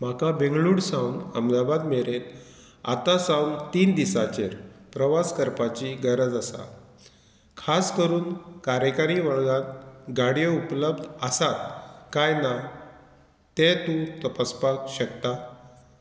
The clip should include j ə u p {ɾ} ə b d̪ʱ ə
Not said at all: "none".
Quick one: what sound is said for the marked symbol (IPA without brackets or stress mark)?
l